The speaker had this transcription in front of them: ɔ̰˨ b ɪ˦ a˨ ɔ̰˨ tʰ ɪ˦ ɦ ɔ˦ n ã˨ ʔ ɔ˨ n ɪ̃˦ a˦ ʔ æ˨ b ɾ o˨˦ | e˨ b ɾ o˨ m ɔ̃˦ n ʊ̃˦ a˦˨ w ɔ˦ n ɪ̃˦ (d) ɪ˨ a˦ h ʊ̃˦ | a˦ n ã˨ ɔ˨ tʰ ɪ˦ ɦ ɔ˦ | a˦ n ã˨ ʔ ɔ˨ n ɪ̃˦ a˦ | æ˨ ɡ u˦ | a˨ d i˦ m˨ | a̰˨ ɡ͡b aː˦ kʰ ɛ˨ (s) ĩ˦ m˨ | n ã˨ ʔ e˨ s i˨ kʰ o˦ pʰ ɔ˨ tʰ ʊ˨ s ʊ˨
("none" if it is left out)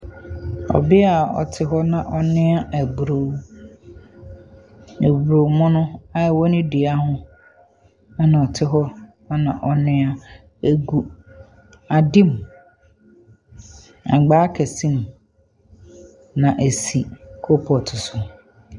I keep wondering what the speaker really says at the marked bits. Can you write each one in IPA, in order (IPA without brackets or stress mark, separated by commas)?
d, s